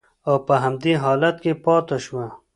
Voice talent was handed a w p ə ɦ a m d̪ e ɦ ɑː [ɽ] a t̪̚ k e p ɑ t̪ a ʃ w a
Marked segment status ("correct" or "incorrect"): incorrect